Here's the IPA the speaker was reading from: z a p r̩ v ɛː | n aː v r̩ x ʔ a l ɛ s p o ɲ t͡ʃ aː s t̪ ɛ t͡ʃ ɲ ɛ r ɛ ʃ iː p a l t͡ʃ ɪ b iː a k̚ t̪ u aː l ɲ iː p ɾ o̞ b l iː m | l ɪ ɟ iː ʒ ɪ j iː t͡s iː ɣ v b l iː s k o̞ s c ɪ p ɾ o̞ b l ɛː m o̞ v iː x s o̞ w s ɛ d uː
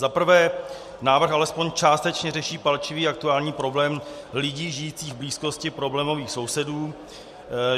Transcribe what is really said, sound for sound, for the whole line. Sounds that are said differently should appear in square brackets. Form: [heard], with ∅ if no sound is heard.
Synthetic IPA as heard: z a p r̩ v ɛː | n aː v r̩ x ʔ a l ɛ s p o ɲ t͡ʃ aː s t̪ ɛ t͡ʃ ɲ ɛ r ɛ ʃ iː p a l t͡ʃ ɪ [v] iː a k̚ t̪ u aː l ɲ iː p ɾ o̞ b l [ɛː] m | l ɪ ɟ iː ʒ ɪ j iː t͡s iː ɣ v b l iː s k o̞ s c ɪ p ɾ o̞ b l ɛː m o̞ v iː x s o̞ w s ɛ d uː